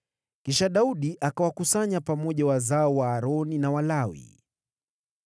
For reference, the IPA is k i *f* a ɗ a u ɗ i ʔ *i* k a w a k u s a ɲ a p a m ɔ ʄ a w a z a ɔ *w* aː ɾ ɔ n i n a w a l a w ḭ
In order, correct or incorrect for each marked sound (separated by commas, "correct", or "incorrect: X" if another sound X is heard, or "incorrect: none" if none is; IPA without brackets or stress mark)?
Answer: incorrect: ʃ, incorrect: a, correct